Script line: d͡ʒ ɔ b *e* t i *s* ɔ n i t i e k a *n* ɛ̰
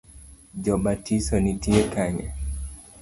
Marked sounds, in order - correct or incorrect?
incorrect: a, correct, incorrect: ɲ

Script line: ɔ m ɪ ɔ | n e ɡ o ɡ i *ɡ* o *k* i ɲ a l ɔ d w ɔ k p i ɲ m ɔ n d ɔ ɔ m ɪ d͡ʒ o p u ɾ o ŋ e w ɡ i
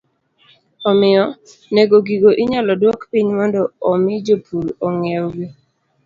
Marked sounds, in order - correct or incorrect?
correct, incorrect: ʔ

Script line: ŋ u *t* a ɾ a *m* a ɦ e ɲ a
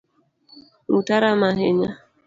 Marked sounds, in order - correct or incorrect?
correct, correct

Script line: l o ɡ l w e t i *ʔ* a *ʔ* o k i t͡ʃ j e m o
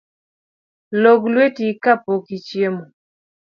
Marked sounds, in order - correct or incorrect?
incorrect: k, incorrect: p

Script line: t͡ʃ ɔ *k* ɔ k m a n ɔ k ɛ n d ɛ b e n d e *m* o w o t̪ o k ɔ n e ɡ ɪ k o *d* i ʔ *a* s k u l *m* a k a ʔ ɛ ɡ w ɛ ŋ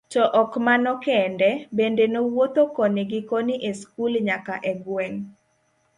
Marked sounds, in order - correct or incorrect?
incorrect: ʔ, incorrect: n, incorrect: n, incorrect: e, incorrect: ɲ

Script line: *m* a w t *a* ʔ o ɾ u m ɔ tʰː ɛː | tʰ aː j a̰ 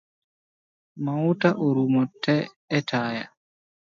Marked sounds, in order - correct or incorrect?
correct, correct

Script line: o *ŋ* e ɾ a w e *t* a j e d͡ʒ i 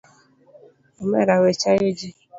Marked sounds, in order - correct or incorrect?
incorrect: m, incorrect: t͡ʃ

